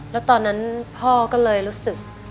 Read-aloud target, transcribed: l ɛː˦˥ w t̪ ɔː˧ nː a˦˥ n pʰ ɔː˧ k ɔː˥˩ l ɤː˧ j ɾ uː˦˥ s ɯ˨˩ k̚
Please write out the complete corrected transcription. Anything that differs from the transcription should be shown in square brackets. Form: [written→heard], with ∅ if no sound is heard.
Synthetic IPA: l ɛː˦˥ w t̪ ɔː˧ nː a˦˥ n pʰ [ɔː˧→ɔː˥˩] k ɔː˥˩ l ɤː˧ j ɾ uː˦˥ s ɯ˨˩ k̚